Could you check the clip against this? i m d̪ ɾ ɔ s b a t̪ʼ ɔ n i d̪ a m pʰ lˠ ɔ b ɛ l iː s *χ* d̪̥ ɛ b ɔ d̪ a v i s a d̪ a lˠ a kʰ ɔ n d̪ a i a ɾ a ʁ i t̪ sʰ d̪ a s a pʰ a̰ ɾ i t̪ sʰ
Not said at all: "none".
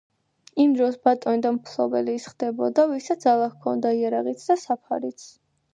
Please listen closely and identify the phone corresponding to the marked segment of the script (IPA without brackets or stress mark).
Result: χ